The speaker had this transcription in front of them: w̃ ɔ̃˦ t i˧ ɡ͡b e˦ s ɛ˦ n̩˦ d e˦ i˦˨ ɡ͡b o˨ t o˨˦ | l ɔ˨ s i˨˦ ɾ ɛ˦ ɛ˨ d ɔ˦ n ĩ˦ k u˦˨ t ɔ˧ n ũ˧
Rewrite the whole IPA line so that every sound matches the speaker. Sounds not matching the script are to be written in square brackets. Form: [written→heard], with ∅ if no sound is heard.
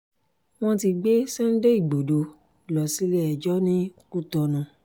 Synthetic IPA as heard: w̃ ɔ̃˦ t i˧ ɡ͡b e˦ s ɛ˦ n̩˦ d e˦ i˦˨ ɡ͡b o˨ [t→d] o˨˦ | l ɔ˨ s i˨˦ [ɾ→l] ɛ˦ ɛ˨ [d→d͡ʒ] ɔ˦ n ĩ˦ k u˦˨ t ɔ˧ n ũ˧